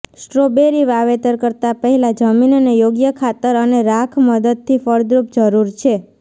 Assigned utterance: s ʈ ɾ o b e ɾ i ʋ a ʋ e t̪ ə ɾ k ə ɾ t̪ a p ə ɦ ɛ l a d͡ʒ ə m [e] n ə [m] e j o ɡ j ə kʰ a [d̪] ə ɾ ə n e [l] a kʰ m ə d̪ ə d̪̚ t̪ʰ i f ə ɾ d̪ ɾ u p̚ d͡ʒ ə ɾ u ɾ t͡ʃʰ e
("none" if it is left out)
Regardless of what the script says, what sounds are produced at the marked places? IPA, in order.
i, n, t̪, ɾ

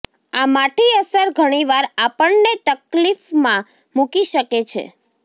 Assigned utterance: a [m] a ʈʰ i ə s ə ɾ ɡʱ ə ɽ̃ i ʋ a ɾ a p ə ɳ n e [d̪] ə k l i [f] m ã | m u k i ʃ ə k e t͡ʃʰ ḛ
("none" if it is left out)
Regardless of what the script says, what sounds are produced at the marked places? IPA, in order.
m, t̪, f

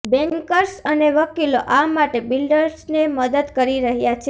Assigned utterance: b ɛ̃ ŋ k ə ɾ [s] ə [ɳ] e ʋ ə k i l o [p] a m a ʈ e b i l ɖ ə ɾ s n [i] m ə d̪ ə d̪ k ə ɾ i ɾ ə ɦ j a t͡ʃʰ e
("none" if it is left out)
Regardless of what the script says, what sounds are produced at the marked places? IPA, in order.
s, n, ʔ, e

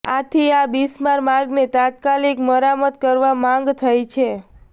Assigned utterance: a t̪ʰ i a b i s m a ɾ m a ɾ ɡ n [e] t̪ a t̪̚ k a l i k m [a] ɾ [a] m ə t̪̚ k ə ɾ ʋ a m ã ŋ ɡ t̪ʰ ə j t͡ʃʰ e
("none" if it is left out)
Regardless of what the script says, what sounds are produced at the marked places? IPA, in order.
e, ə, a

